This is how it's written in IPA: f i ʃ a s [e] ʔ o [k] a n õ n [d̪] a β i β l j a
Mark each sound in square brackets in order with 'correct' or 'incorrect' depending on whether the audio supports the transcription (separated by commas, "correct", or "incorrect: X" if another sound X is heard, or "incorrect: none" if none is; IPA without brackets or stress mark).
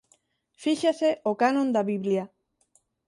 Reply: correct, correct, correct